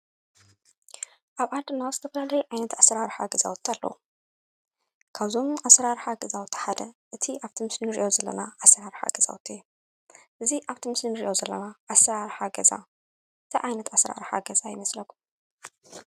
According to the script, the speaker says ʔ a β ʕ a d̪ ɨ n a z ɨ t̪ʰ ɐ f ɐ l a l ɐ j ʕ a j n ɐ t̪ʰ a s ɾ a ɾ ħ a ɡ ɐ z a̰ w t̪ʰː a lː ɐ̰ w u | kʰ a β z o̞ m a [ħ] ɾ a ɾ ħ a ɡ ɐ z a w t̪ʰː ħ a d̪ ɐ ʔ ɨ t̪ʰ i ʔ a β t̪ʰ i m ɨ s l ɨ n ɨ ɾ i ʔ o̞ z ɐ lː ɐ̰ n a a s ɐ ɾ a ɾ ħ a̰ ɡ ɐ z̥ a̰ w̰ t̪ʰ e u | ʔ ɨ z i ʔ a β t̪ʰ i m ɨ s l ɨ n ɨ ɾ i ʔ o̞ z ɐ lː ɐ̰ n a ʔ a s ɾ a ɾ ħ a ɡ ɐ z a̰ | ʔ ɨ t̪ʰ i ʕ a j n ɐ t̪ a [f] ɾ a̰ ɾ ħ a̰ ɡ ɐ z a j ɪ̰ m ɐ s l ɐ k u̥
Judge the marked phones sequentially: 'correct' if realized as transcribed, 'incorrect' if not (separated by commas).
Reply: incorrect, incorrect